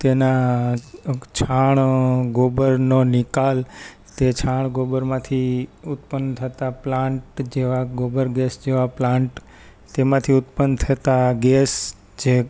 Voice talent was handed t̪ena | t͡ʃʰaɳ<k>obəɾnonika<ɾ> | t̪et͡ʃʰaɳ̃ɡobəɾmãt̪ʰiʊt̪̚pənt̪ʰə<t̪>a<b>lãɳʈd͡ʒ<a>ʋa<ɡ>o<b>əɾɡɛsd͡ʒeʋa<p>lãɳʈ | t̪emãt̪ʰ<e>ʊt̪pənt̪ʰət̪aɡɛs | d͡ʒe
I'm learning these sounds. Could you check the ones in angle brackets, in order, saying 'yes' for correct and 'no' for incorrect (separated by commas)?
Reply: no, no, yes, no, no, yes, yes, yes, no